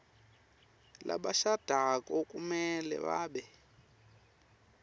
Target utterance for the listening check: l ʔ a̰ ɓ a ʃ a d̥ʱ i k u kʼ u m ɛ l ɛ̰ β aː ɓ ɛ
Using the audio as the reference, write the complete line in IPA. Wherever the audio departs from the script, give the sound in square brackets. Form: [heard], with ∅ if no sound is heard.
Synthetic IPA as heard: l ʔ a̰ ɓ a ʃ a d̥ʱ [a] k [ɔ] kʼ u m ɛ l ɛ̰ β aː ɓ ɛ